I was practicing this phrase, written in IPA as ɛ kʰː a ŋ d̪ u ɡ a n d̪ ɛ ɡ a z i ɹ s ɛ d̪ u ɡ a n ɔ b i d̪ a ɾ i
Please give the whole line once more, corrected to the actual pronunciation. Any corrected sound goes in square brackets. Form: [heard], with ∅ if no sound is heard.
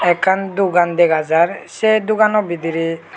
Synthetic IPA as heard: ɛ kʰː a [n] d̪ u ɡ a n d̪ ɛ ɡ a z [a] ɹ s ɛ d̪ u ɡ a n ɔ b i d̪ [i] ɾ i